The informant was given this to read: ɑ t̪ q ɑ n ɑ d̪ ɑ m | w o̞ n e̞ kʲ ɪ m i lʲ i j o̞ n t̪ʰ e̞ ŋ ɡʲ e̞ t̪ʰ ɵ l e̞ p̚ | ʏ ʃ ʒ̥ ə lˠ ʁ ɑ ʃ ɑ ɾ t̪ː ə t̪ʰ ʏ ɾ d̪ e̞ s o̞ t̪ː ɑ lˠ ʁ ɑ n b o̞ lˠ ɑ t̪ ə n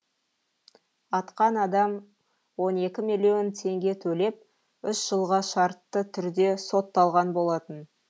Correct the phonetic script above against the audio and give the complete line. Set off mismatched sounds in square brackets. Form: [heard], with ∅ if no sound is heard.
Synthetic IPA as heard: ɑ t̪ q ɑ n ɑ d̪ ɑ m | w o̞ n e̞ kʲ ɪ m i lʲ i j o̞ n t̪ʰ e̞ ŋ ɡʲ e̞ t̪ʰ ɵ l e̞ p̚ | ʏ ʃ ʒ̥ ə lˠ ʁ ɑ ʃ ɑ ɾ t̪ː ə t̪ʰ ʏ ɾ d̪ e̞ s o̞ t̪ː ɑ lˠ ʁ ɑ n b o̞ lˠ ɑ t̪ ə n